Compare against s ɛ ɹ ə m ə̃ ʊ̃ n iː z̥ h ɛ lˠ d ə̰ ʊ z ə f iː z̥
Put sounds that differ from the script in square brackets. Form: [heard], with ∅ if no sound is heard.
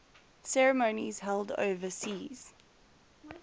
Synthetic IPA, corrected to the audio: s ɛ ɹ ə m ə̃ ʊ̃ n [i] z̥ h ɛ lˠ d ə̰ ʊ [v] ə [s] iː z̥